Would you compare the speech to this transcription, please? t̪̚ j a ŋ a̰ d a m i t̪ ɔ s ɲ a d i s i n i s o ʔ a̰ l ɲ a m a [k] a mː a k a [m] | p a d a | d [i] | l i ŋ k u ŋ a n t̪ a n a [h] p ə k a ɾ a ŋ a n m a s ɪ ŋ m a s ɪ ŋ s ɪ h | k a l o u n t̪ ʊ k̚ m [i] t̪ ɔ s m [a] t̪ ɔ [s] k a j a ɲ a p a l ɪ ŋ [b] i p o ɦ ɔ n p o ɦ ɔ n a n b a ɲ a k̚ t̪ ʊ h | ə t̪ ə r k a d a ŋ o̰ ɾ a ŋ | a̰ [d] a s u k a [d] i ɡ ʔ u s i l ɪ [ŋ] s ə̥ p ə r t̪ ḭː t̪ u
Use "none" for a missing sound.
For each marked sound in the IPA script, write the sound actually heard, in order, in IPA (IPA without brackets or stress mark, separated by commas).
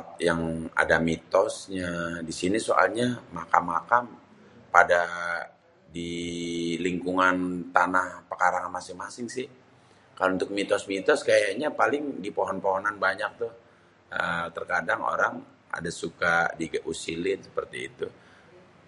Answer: k, m, i, h, i, i, s, d, d, d, n